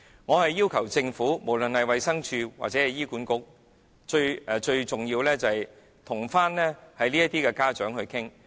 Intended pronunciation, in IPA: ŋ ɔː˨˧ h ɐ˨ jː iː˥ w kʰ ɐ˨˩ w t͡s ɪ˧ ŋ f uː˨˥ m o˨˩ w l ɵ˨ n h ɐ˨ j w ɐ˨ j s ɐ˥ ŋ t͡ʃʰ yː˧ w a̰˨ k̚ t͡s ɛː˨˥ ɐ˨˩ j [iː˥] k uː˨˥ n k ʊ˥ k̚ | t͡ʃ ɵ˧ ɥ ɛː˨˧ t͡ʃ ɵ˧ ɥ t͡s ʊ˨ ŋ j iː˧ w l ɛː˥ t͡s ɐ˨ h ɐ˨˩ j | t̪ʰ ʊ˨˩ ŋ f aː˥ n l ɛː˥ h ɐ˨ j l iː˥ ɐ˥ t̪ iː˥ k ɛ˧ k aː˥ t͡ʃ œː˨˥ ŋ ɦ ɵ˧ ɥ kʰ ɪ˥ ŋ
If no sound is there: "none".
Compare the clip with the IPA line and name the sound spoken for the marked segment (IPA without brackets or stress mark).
iː˥